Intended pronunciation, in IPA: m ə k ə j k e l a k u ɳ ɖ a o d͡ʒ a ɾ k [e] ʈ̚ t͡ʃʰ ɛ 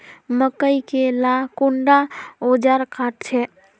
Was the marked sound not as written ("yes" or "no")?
yes